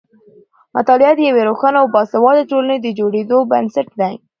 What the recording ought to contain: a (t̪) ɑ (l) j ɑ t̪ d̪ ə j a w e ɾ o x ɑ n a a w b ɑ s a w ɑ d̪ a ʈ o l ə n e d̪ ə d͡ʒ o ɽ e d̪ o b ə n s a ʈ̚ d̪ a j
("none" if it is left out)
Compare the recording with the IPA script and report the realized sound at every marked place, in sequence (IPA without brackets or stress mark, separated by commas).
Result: t̪, l